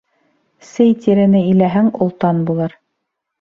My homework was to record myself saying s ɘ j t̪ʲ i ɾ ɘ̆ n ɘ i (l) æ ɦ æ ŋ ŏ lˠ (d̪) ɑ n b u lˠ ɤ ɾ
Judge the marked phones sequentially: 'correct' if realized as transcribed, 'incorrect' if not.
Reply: correct, incorrect: t̪

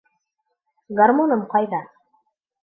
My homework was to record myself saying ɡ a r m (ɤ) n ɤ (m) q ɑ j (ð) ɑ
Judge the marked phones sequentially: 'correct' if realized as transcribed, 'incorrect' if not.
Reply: incorrect: o, correct, correct

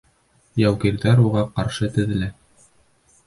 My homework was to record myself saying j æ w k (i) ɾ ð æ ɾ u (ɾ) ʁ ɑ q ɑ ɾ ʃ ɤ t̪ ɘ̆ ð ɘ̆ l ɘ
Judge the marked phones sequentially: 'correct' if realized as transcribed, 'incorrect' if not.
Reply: correct, incorrect: none

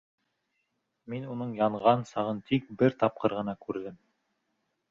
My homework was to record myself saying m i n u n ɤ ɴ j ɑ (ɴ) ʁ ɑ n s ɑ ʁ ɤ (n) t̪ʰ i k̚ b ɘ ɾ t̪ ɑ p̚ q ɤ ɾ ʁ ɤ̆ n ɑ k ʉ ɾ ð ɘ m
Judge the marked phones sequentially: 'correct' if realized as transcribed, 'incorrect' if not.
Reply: correct, correct

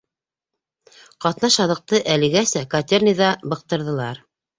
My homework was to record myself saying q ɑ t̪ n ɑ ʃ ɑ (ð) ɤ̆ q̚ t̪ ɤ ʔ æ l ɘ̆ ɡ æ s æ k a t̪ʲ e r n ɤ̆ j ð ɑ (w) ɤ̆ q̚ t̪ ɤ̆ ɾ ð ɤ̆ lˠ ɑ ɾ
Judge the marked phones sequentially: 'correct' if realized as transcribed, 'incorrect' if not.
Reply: correct, incorrect: b

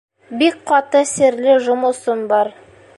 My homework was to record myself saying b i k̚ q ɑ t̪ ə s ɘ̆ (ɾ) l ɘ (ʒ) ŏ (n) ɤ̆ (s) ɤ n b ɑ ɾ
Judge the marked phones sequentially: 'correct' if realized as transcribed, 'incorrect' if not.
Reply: correct, correct, incorrect: m, correct

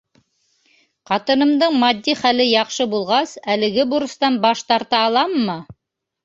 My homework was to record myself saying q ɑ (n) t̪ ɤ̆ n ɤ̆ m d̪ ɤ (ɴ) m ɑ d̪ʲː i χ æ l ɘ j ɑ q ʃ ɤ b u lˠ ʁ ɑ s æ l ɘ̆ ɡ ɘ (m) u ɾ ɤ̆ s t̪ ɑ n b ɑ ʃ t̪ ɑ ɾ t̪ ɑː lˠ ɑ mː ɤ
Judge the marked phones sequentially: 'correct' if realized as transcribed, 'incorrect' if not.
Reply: incorrect: none, correct, incorrect: b

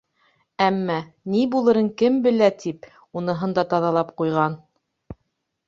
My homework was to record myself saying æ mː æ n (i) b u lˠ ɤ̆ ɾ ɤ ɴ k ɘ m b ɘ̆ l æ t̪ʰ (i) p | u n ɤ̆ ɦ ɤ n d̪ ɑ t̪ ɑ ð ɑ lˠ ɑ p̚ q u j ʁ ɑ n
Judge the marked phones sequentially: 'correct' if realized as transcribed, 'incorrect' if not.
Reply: correct, correct

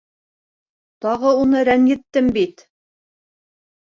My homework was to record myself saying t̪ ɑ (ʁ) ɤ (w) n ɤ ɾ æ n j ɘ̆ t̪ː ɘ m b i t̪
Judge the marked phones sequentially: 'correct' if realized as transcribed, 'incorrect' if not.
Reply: correct, incorrect: u

